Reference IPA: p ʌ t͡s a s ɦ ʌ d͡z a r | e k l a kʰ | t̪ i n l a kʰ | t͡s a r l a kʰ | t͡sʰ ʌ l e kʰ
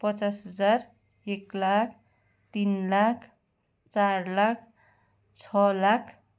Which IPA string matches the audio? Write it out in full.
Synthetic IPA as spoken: p ʌ t͡s a s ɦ ʌ d͡z a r | e k l a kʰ | t̪ i n l a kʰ | t͡s a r l a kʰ | t͡sʰ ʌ l a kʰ